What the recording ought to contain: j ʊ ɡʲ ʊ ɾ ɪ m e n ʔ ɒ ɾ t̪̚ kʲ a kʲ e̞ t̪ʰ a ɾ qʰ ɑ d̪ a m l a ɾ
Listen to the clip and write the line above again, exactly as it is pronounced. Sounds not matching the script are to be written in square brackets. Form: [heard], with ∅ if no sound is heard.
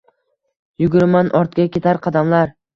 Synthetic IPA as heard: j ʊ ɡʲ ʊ ɾ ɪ m [a] n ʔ ɒ ɾ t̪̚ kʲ a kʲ e̞ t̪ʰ a ɾ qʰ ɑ d̪ a m l a ɾ